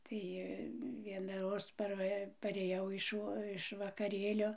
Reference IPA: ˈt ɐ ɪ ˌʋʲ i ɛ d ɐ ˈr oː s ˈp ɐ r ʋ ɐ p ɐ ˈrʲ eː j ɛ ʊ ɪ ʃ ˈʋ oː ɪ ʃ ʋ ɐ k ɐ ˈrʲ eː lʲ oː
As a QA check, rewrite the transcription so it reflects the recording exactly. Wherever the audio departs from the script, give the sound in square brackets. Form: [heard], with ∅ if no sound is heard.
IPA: ˈt ɐ ɪ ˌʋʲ i ɛ [n] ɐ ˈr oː s ˈp ɐ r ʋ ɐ p ɐ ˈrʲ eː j ɛ ʊ ɪ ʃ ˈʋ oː ɪ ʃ ʋ ɐ k ɐ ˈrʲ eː lʲ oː